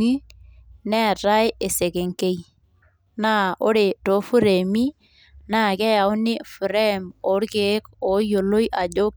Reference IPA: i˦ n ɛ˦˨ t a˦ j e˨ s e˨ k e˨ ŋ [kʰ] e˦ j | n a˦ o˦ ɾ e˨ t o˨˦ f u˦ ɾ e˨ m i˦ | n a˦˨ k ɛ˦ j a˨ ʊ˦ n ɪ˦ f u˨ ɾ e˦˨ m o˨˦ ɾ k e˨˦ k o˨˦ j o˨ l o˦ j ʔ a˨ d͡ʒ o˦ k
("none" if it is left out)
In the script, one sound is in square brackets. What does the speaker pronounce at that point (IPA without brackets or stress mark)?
k